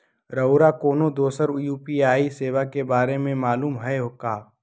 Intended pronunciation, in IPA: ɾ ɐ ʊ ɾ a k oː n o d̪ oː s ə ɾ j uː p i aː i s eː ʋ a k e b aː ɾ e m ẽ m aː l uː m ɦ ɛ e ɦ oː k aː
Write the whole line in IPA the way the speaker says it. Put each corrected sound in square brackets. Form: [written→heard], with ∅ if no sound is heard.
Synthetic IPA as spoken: ɾ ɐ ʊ ɾ a k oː n o d̪ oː s ə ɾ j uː p i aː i s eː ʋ a k e b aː ɾ e m ẽ m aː l uː m ɦ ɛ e ɦ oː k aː